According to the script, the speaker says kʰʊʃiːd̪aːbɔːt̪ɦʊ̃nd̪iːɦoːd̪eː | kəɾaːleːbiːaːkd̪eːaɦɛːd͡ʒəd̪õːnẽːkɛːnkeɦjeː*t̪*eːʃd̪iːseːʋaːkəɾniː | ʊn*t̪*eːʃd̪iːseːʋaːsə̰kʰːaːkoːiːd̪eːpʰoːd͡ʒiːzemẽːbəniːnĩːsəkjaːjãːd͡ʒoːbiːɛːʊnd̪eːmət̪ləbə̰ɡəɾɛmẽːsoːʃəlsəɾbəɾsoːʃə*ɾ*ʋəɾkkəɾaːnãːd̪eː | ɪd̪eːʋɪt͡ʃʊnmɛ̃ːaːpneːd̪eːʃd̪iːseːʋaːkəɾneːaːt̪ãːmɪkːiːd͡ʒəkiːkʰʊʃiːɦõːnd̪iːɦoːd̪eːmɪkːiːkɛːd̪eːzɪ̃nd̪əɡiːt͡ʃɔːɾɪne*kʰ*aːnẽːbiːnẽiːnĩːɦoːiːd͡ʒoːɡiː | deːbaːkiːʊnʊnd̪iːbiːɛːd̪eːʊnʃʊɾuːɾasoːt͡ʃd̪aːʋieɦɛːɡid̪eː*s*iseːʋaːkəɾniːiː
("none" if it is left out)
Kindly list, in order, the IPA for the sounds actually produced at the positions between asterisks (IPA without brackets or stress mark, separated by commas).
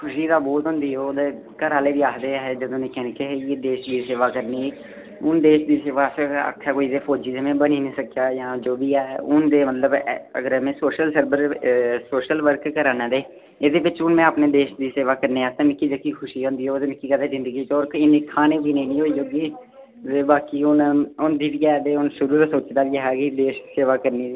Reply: d̪, d̪, l, kʰ, ʃ